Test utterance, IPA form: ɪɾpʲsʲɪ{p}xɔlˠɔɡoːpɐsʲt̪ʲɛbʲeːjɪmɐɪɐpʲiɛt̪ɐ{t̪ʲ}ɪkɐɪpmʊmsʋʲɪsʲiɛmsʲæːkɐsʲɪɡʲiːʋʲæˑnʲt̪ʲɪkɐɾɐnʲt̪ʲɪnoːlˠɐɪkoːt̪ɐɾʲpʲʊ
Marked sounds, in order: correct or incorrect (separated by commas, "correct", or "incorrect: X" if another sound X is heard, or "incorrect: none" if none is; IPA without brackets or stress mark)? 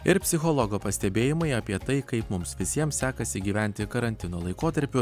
incorrect: none, incorrect: none